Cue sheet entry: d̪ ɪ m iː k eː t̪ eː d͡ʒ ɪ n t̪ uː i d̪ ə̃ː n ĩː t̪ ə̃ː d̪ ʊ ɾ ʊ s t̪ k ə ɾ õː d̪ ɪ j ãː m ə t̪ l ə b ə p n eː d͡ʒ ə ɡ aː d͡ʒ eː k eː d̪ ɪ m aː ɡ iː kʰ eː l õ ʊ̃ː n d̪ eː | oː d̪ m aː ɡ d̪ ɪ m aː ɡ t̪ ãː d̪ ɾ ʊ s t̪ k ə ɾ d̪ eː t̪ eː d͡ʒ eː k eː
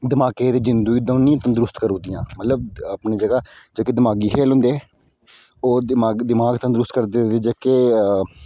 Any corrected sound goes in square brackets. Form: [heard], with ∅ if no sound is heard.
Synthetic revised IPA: d̪ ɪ m [aː] k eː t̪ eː d͡ʒ ɪ n [d̪] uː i d̪ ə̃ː n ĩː t̪ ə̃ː d̪ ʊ ɾ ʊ s t̪ k ə ɾ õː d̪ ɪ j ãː m ə t̪ l ə b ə p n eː d͡ʒ ə ɡ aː d͡ʒ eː k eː d̪ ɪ m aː ɡ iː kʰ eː l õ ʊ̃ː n d̪ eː | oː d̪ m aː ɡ d̪ ɪ m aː ɡ t̪ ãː d̪ ɾ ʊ s t̪ k ə ɾ d̪ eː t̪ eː d͡ʒ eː k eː